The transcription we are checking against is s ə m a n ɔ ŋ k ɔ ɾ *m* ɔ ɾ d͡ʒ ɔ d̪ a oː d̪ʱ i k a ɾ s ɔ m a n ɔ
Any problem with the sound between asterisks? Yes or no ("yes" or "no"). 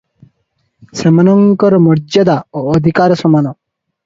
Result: no